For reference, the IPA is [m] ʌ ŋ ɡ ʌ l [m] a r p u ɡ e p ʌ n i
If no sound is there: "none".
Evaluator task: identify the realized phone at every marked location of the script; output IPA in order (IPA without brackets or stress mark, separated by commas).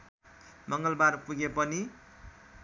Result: m, b